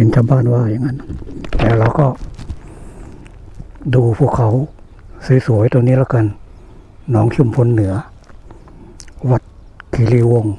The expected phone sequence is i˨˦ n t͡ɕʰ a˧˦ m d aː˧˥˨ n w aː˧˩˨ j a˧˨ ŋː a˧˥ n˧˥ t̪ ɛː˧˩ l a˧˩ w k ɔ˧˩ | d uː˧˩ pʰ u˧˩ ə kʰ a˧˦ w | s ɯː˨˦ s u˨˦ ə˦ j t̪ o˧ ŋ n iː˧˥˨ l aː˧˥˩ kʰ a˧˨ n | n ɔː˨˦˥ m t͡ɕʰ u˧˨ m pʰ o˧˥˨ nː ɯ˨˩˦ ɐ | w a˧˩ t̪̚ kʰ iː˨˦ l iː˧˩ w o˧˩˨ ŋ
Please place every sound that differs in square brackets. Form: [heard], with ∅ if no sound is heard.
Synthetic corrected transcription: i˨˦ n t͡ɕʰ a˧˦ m [b] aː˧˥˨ n w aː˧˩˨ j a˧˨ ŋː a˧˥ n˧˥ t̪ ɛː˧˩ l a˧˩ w k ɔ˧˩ | d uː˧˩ pʰ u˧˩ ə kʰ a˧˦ w | s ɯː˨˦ s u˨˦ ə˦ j t̪ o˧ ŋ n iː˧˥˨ l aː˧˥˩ [k] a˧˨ n | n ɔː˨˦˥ [ŋ] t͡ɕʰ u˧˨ m pʰ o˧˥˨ nː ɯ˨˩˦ ɐ | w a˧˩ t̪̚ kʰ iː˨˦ l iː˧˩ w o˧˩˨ ŋ